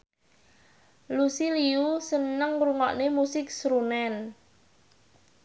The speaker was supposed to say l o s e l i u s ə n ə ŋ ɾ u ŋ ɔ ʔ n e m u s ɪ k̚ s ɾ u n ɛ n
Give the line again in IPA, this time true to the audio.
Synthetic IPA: l u s i l i u s ə n ə ŋ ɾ u ŋ ɔ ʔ n e m u s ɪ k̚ s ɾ u n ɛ n